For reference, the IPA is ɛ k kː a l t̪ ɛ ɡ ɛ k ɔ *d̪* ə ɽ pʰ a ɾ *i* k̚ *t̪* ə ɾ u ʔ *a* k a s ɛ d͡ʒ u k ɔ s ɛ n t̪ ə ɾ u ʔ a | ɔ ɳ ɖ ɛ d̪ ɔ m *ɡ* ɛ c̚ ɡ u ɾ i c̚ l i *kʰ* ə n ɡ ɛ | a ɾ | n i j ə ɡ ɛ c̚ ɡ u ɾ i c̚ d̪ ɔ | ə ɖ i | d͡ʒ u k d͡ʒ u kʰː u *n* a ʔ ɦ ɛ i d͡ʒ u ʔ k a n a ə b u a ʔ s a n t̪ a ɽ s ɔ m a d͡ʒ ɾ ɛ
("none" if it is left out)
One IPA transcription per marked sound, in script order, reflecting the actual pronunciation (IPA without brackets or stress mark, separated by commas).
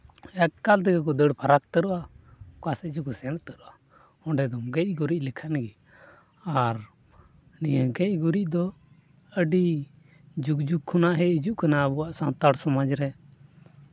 d̪, a, t̪, a, ɡ, kʰ, n